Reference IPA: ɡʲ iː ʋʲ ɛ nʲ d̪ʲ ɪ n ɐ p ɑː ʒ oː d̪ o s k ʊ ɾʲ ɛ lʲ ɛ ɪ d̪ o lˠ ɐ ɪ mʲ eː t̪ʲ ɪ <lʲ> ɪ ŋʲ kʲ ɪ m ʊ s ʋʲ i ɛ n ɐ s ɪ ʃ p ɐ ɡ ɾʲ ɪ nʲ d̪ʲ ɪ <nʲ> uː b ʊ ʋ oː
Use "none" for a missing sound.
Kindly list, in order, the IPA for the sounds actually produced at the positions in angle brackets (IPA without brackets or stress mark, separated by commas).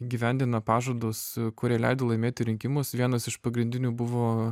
ɾʲ, nʲ